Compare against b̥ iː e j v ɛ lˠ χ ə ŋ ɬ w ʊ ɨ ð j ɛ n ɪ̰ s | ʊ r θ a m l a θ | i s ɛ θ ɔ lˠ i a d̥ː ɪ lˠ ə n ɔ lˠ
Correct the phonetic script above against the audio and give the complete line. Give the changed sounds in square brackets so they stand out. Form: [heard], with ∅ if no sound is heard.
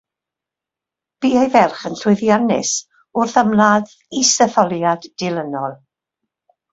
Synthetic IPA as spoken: b̥ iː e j v ɛ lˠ χ ə [n] ɬ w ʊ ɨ ð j [a] n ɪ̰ s | ʊ r θ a m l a [ð] | i s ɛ θ ɔ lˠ [j] a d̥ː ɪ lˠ ə n ɔ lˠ

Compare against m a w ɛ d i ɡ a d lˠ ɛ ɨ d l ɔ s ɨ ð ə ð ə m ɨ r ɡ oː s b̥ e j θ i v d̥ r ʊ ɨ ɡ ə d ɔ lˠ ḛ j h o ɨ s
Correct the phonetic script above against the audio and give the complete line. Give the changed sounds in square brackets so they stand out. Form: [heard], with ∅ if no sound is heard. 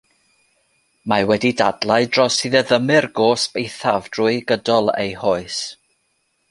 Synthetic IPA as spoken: m a w ɛ d i [d] a d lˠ [a] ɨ d [r] ɔ s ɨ ð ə ð ə m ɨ r ɡ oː s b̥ e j θ [a] v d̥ r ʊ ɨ ɡ ə d ɔ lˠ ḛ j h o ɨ s

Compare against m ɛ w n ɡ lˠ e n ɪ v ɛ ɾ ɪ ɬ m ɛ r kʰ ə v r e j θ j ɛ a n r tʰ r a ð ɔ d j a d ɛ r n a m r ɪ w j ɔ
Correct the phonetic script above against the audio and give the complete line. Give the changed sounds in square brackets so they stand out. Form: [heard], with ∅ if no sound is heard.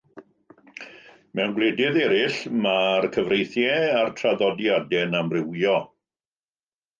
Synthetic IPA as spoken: m ɛ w n ɡ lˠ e [d] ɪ [ð] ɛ ɾ ɪ ɬ m [a] r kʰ ə v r e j θ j ɛ a [∅] r tʰ r a ð ɔ d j a d ɛ [∅] n a m r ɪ w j ɔ

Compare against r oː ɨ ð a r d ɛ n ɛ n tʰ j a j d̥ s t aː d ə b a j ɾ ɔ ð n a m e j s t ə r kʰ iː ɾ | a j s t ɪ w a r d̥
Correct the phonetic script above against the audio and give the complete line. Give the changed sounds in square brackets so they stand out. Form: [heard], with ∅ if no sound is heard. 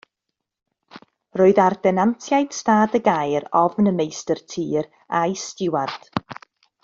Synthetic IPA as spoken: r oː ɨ ð a r d ɛ n [a] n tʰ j a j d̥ s t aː d ə [ɡ] a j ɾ ɔ [v] n [ə] m e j s t ə r [tʰ] iː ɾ | a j s t ɪ w a r d̥

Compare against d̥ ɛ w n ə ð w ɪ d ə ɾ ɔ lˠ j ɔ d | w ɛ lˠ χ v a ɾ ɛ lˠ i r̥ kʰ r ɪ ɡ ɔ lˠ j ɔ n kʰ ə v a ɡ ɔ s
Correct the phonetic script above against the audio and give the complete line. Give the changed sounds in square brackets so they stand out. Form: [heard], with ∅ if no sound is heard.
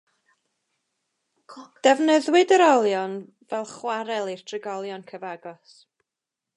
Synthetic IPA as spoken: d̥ ɛ [v] n ə ð w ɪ d ə ɾ ɔ lˠ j ɔ [n] | [v] ɛ lˠ χ [w] a ɾ ɛ lˠ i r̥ [tʰ] r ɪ ɡ ɔ lˠ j ɔ n kʰ ə v a ɡ ɔ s

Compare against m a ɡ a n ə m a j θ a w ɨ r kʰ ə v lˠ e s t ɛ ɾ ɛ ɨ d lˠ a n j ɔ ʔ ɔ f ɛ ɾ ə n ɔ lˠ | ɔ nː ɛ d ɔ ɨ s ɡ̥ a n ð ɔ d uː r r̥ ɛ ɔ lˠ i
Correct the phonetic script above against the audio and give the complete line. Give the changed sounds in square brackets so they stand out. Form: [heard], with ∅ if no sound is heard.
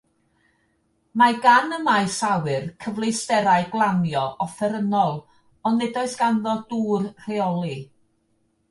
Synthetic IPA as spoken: m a ɡ a n ə m a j [s] a w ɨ r kʰ ə v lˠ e s t ɛ ɾ [a] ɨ [ɡ] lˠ a n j ɔ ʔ ɔ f ɛ ɾ ə n ɔ lˠ | ɔ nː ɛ d ɔ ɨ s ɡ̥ a n ð ɔ d uː r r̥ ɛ ɔ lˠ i

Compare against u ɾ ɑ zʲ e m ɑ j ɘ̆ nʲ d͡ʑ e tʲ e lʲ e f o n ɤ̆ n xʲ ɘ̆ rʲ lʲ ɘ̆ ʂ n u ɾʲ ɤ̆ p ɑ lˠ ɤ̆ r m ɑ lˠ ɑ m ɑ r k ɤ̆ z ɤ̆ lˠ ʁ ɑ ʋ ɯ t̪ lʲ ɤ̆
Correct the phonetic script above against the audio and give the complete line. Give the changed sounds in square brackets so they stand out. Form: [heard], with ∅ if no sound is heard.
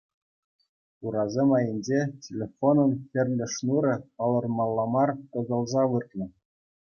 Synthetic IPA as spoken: u ɾ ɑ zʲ e m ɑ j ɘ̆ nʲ d͡ʑ e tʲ e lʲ e f o n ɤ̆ n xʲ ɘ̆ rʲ lʲ ɘ̆ ʂ n u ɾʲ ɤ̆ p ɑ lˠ ɤ̆ r m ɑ [lˠː] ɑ m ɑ r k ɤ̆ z ɤ̆ lˠ [z] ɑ ʋ ɯ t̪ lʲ ɤ̆

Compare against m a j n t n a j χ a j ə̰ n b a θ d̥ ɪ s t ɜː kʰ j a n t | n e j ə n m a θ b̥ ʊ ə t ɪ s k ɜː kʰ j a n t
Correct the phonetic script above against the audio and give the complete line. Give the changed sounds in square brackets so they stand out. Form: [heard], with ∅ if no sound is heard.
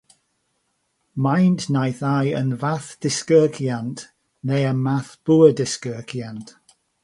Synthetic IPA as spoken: m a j n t n a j [θ] a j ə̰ n [v] a θ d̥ ɪ s [k] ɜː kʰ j a n t | n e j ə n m a θ b̥ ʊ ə [d] ɪ s k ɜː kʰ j a n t

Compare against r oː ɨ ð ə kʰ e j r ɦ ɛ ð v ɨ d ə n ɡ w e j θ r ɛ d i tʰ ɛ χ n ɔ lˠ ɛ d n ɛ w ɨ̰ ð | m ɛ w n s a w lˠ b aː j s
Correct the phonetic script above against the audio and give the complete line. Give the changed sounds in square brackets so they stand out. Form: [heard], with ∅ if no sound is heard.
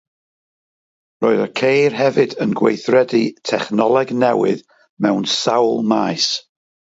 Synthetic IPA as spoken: r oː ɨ ð ə kʰ e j r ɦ ɛ [∅] v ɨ d ə n ɡ w e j θ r ɛ d i tʰ ɛ χ n ɔ lˠ ɛ [ɡ] n ɛ w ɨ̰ ð | m ɛ w n s a w lˠ [m] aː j s

